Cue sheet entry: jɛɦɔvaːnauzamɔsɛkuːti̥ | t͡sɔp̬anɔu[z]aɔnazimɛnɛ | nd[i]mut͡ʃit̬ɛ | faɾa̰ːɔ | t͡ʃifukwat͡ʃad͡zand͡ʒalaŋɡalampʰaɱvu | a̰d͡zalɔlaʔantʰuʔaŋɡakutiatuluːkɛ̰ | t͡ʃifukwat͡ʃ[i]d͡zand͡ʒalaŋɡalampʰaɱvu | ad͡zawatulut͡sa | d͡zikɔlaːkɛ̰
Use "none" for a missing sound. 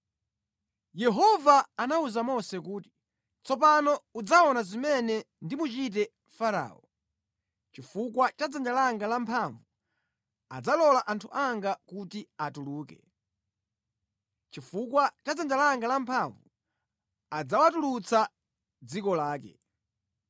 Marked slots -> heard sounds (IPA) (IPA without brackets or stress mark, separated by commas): d͡z, i, a